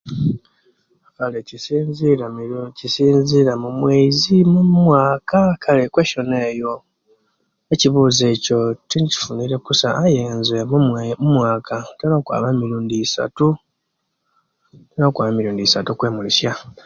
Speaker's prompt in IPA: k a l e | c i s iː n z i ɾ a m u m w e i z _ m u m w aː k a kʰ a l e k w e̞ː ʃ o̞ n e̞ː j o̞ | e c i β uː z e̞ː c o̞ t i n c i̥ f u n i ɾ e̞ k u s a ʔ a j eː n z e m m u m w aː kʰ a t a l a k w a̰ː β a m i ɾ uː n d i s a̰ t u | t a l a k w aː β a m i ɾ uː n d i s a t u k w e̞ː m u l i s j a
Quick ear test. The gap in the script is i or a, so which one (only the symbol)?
i